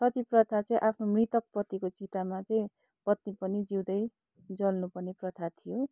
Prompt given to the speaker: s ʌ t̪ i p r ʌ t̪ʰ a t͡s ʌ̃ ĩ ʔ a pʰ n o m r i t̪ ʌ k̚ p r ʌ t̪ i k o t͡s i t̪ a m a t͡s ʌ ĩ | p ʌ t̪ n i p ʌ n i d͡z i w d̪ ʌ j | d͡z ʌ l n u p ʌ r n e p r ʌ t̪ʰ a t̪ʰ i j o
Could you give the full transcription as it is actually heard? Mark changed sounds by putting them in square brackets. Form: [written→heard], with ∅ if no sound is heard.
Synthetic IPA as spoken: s ʌ t̪ i p r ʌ t̪ʰ a t͡s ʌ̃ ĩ ʔ a pʰ n o m r i t̪ ʌ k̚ p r ʌ t̪ i k o t͡s i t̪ a m a t͡s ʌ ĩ | p ʌ t̪ n i p ʌ n i d͡z i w d̪ ʌ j | d͡z ʌ l n u p ʌ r n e p r ʌ t̪ʰ a t̪ʰ i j o